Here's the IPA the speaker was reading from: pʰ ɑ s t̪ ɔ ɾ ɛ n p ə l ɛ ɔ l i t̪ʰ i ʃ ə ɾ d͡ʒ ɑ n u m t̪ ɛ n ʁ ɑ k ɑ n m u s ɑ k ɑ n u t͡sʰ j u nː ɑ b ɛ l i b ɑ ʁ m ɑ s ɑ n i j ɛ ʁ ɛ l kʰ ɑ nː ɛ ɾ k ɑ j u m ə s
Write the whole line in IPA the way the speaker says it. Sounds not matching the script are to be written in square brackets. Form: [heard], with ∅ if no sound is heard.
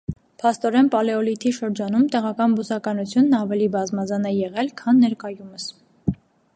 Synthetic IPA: pʰ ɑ s t̪ ɔ ɾ ɛ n p [ɑ] l ɛ ɔ l i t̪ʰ i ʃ ə ɾ d͡ʒ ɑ n u m t̪ ɛ [∅] ʁ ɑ k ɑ n [b] u s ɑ k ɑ n u t͡sʰ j u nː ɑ [v] ɛ l i b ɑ [z] m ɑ [z] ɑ n [ɛ] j ɛ ʁ ɛ l kʰ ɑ nː ɛ ɾ k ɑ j u m ə s